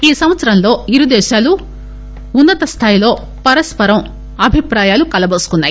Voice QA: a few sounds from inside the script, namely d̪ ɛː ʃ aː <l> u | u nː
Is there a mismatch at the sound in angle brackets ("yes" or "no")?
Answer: no